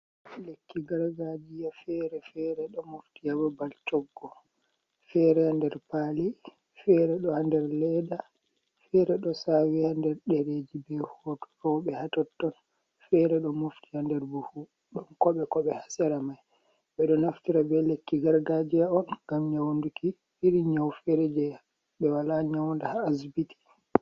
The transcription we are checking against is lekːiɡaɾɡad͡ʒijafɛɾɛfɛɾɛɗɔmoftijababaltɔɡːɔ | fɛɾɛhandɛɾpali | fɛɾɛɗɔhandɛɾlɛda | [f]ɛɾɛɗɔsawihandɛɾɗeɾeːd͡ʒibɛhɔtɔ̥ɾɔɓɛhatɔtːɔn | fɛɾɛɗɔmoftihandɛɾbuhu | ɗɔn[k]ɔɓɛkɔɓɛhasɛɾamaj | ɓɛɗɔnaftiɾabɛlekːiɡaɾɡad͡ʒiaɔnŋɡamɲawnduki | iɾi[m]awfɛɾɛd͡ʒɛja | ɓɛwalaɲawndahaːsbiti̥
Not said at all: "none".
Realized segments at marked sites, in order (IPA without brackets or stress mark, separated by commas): f, k, ɲ